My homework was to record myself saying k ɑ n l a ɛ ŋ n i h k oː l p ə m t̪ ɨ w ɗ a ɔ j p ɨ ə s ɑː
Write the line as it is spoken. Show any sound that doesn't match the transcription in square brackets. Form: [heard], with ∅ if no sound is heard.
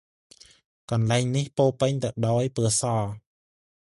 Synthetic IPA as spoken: k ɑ n l a ɛ ŋ n i h [p] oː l p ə [ɲ] t̪ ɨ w ɗ a ɔ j p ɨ ə s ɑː